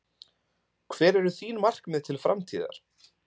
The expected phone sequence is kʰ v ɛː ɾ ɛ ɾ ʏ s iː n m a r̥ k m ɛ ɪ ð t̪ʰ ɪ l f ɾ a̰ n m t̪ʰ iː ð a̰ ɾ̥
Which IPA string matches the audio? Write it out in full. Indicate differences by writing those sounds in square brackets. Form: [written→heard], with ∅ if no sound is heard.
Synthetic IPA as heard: kʰ v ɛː ɾ ɛ ɾ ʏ [s→θ] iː n m a r̥ k m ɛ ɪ ð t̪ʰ ɪ l f ɾ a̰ [n→∅] m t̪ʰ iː ð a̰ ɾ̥